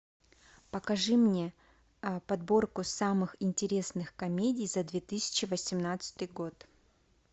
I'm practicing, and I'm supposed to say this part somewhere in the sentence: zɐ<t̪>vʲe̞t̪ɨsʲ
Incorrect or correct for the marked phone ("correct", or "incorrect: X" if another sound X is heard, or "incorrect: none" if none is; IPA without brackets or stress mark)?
incorrect: d̪